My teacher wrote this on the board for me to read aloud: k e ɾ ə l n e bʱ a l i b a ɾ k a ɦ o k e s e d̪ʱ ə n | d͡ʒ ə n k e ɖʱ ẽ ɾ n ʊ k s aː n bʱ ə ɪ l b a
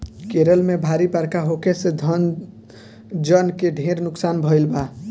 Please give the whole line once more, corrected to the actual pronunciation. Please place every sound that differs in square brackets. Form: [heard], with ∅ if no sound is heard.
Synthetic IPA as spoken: k e ɾ ə l [m] e bʱ a [ɾ] i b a ɾ k a ɦ o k e s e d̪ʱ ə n | d͡ʒ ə n k e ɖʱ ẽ ɾ n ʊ k s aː n bʱ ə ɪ l b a

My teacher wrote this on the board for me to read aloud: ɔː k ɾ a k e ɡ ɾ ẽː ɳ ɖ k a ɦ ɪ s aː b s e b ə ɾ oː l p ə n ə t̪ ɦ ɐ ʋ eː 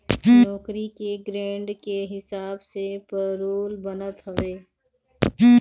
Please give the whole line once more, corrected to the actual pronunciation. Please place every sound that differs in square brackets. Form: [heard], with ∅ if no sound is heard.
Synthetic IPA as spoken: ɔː k ɾ [i] k e ɡ ɾ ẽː ɳ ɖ k [e] ɦ ɪ s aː b s e [p] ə ɾ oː l [b] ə n ə t̪ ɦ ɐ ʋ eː

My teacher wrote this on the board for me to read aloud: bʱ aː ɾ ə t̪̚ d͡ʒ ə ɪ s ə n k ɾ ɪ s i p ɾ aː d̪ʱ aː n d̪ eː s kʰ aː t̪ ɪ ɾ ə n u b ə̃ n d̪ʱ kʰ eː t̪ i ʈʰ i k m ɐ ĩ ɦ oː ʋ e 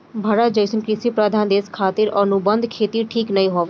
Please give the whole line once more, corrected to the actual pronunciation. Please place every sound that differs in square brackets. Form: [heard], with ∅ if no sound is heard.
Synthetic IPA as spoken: bʱ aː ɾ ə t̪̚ d͡ʒ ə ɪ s ə n k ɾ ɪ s i p ɾ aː d̪ʱ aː n d̪ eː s kʰ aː t̪ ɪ ɾ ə n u b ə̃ n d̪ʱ kʰ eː t̪ i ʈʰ [iː] k [n] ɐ ĩ ɦ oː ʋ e

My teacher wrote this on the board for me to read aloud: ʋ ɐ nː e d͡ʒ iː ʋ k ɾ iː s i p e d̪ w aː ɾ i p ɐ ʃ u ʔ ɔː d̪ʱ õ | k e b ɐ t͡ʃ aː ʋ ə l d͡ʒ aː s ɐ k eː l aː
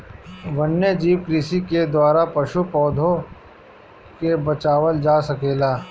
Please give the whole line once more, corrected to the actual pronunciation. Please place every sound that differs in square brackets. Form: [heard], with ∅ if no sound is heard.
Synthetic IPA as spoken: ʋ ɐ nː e d͡ʒ iː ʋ k ɾ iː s i [k] e d̪ w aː ɾ [a] p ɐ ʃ u [p] ɔː d̪ʱ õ | k e b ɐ t͡ʃ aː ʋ ə l d͡ʒ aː s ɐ k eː l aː

